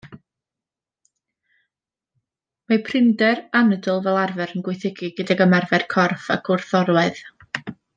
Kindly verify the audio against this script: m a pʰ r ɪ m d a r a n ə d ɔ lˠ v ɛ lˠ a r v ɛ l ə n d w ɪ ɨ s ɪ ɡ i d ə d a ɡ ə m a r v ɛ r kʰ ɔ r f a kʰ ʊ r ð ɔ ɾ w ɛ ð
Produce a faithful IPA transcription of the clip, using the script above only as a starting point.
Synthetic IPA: m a pʰ r ɪ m d ɛ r a n ə d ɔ lˠ v ɛ lˠ a r v ɛ ɾ ə n ɡ w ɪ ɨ θ ɪ ɡ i ɡ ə d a ɡ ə m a r v ɛ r kʰ ɔ r f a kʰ ʊ r θ ɔ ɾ w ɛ ð